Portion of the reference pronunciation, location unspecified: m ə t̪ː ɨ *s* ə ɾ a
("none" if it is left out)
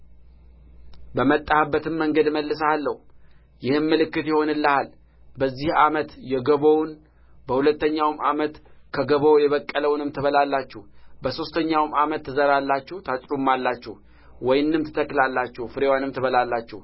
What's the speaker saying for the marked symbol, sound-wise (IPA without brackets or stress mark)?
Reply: z